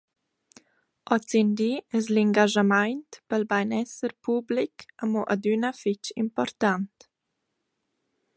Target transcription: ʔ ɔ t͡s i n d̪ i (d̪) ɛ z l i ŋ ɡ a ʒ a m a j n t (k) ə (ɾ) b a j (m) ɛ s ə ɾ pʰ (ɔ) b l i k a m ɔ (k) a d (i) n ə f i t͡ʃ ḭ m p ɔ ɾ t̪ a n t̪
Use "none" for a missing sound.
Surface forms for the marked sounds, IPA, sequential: none, p, l, n, u, ʔ, y

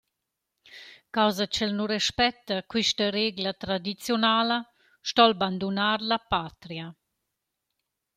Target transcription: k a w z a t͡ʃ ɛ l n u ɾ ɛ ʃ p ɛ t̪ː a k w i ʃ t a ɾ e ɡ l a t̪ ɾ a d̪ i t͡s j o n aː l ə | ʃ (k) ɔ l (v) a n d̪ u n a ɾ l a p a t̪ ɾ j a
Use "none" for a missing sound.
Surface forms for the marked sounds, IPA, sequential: t, b

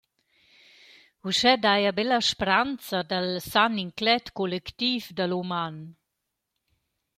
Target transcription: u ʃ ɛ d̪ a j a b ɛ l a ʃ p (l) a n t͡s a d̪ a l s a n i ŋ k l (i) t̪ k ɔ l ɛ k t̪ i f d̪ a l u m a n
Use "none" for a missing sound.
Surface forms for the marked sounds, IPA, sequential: ɾ, ɛ

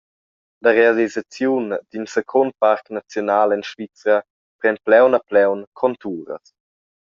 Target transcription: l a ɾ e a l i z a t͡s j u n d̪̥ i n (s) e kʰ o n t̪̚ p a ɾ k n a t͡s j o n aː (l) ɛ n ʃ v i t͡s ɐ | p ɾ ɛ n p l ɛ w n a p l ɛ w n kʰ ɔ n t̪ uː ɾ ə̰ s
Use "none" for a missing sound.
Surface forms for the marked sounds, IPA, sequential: s, l

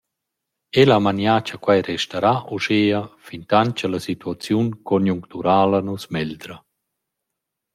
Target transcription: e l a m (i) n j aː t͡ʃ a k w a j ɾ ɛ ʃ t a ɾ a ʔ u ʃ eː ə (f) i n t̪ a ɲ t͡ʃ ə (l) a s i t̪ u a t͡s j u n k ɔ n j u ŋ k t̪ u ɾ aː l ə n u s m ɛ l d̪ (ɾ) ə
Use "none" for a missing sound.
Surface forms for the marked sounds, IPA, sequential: a, f, l, ɾ

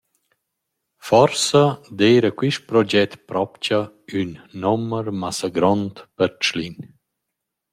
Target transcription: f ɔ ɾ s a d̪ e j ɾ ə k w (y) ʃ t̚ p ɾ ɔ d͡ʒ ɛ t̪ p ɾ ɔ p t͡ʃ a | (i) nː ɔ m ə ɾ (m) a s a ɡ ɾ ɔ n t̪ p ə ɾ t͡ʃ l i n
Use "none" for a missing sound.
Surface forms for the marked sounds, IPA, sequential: i, y, m

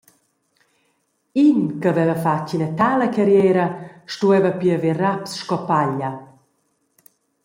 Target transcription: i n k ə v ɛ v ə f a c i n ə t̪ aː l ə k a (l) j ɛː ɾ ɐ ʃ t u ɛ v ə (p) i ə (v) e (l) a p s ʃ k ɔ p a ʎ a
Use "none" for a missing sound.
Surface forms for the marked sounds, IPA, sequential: ɾ, p, v, r

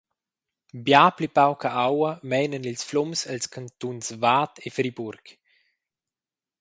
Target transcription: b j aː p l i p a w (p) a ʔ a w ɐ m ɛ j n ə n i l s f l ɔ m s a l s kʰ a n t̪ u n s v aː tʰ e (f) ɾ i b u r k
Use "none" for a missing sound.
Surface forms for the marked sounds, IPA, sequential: k, f

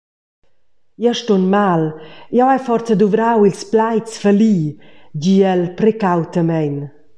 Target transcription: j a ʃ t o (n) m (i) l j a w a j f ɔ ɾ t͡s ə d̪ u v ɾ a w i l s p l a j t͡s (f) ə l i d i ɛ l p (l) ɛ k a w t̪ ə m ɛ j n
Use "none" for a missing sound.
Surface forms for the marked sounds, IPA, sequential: n, a, f, ɾ

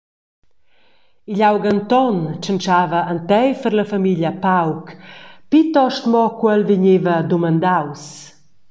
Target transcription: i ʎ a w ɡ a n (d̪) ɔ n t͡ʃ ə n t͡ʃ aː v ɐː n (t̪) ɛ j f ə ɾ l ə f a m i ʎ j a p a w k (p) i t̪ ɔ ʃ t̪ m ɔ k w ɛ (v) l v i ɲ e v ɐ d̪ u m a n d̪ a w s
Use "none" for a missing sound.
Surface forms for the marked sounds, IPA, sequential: t̪, t̪, p, none

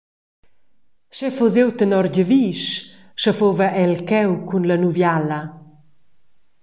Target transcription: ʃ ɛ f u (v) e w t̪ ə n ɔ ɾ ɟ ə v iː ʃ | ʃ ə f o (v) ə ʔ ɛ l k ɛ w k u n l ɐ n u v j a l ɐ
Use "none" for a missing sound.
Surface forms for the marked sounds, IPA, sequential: z, v

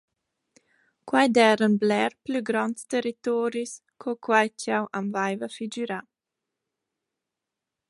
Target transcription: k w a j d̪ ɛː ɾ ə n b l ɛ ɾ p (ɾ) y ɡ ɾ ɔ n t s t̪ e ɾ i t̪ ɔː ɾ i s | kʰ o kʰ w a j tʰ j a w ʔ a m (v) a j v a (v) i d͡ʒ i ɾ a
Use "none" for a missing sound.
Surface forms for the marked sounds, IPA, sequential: l, v, f

